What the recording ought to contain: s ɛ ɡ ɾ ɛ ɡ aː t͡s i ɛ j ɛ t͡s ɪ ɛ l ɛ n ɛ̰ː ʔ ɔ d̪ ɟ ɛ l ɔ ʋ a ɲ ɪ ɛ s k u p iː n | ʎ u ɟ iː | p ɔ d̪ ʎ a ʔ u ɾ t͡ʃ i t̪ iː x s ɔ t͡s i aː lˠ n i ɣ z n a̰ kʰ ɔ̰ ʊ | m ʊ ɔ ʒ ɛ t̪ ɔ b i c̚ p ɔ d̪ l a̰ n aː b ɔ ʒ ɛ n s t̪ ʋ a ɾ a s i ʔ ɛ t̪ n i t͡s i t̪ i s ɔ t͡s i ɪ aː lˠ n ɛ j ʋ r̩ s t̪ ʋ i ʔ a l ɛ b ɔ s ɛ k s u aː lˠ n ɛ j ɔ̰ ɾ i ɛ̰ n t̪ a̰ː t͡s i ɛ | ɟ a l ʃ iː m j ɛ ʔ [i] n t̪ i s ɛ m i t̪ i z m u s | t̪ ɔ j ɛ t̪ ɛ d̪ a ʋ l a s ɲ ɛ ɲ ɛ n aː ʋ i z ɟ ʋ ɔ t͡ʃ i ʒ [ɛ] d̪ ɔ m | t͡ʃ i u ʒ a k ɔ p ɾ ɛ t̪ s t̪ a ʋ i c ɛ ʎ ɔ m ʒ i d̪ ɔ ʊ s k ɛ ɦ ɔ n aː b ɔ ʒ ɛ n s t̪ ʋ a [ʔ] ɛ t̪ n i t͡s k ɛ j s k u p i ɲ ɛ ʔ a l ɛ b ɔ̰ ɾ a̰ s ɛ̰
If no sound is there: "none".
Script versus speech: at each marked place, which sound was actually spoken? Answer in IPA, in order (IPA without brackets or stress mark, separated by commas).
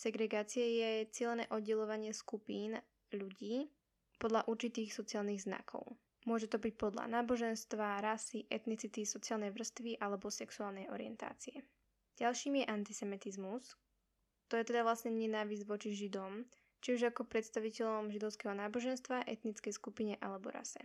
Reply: a, i, ʔ